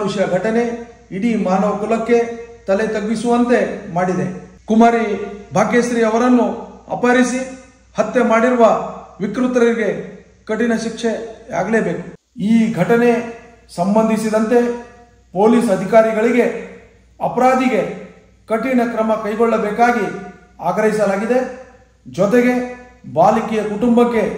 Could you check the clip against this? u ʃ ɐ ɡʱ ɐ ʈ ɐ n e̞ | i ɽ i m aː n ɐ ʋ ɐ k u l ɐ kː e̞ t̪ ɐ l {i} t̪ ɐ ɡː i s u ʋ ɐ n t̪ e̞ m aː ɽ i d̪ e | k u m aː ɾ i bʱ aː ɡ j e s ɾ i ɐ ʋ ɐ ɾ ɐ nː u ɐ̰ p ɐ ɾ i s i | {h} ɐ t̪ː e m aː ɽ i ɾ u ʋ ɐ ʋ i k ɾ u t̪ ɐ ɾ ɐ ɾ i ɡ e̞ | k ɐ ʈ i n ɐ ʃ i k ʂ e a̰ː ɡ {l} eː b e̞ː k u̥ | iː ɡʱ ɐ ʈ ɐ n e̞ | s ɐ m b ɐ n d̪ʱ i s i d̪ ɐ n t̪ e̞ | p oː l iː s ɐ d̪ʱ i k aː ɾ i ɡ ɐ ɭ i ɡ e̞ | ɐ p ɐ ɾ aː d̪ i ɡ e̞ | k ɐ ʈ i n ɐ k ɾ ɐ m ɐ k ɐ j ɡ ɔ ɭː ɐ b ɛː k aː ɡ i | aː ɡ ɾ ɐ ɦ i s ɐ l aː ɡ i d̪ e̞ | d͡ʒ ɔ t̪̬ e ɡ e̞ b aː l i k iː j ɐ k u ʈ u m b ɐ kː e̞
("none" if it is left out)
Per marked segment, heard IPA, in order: e, h, l

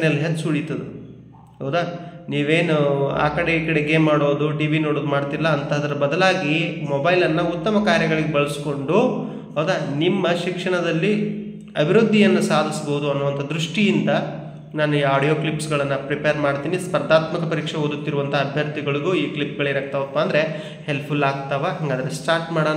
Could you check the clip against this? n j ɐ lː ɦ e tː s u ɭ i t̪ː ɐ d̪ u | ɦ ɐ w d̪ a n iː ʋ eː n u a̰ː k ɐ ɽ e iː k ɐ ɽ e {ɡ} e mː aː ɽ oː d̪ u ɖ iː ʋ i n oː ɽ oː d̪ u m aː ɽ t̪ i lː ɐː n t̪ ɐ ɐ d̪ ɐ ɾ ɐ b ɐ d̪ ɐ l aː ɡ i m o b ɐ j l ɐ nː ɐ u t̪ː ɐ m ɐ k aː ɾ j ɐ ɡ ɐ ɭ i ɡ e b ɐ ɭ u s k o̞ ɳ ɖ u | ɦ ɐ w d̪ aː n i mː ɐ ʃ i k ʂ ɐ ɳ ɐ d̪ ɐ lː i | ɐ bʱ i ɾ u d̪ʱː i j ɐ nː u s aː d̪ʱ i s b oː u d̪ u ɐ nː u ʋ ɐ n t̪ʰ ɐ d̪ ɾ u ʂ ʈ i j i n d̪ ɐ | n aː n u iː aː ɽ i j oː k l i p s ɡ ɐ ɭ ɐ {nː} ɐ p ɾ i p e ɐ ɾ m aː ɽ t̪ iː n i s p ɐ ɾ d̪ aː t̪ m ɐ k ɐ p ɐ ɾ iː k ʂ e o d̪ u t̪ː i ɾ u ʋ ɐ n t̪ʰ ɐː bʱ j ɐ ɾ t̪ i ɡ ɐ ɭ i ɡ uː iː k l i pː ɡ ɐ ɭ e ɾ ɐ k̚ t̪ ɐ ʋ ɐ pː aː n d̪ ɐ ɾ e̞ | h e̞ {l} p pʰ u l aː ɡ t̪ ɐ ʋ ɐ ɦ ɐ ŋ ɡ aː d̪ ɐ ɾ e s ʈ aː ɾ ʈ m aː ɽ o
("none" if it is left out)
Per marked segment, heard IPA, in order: ɡ, nː, l

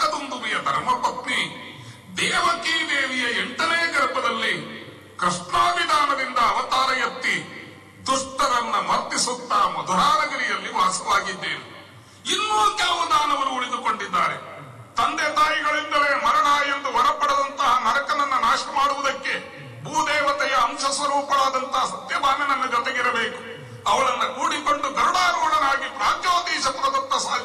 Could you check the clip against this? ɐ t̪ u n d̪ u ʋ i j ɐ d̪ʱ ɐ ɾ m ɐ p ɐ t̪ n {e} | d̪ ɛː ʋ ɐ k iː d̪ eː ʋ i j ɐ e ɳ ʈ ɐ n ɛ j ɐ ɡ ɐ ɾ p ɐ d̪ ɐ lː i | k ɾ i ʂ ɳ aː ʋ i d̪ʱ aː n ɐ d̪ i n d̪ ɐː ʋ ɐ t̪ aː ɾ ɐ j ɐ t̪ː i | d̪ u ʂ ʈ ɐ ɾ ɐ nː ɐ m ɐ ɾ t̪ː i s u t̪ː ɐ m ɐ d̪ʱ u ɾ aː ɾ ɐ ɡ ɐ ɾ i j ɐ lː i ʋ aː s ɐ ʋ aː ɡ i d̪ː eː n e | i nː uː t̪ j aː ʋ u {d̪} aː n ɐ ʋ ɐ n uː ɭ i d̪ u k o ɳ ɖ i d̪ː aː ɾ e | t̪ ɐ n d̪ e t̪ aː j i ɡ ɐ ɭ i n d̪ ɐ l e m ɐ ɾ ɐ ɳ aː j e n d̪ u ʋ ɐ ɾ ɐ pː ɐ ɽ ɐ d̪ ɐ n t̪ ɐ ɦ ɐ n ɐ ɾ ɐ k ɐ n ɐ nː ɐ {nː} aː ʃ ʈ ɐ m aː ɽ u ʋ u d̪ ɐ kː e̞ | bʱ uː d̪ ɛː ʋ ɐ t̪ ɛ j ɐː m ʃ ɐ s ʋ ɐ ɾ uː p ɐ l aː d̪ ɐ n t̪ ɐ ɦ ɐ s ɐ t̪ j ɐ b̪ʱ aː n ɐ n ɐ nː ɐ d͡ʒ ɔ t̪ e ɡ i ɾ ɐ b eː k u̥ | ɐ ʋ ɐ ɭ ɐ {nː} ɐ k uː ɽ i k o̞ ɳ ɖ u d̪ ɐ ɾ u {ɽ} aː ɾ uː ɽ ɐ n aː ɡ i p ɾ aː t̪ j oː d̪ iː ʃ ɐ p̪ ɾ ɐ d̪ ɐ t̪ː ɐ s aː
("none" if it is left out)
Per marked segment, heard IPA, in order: i, d̪, n, nː, ɽ

